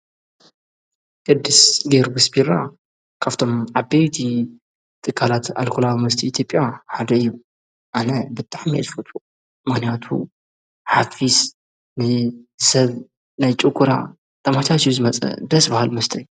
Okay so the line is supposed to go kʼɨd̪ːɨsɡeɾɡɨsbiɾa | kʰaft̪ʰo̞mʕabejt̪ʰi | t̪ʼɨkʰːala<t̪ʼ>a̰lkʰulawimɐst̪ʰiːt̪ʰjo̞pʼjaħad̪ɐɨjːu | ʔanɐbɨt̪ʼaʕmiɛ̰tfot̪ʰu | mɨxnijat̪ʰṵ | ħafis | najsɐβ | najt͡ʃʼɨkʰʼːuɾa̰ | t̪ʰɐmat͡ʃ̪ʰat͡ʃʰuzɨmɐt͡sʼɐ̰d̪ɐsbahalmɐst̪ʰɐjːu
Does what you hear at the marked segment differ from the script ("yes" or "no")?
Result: yes